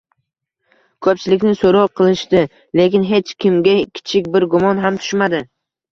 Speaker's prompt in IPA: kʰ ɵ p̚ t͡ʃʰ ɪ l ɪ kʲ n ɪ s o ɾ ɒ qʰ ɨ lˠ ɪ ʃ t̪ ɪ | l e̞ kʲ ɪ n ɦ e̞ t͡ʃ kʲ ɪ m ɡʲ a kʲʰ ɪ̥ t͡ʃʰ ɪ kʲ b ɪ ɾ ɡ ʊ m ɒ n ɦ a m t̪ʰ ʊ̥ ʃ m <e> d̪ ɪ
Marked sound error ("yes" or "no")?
yes